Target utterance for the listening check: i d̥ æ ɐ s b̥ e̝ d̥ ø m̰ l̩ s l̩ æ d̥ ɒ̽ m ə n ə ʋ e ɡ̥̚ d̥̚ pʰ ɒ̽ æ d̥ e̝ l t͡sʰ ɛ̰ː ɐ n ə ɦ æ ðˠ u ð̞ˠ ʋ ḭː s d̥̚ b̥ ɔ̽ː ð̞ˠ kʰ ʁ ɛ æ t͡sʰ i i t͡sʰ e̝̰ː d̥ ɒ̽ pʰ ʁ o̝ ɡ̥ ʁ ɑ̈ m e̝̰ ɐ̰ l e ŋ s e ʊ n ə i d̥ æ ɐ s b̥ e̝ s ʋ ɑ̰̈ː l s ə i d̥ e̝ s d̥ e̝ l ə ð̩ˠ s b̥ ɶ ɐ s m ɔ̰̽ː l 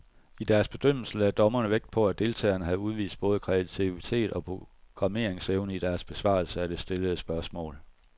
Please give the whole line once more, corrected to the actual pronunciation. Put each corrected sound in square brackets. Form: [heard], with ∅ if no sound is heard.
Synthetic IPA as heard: i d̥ æ ɐ s b̥ e̝ d̥ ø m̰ l̩ s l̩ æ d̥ ɒ̽ m [ɐ] n ə ʋ e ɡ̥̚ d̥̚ pʰ ɒ̽ æ d̥ e̝ l t͡sʰ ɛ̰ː ɐ n ə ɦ æ ðˠ u ð̞ˠ ʋ ḭː s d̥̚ b̥ ɔ̽ː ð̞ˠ kʰ ʁ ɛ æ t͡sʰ i i t͡sʰ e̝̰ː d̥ ɒ̽ pʰ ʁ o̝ ɡ̥ ʁ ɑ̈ m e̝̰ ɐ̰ [∅] e ŋ s e ʊ n ə i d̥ æ ɐ s b̥ e̝ s ʋ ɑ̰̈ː l s ə [æ] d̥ e̝ s d̥ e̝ l ə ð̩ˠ s b̥ ɶ ɐ s m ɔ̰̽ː l